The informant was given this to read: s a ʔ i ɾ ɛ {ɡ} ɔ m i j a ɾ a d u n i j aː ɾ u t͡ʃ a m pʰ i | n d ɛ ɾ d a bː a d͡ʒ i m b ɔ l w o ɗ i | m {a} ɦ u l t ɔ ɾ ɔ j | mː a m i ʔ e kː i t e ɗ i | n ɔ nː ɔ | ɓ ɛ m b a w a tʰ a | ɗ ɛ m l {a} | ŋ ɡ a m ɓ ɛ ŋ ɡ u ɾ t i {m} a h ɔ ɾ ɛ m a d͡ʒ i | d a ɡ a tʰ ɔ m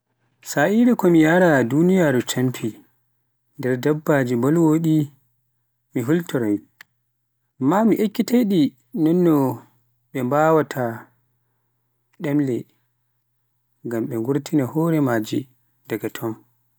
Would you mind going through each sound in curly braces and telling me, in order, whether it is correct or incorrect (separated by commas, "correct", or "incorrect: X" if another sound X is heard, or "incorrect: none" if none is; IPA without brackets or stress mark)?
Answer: incorrect: k, incorrect: i, incorrect: ɛ, incorrect: n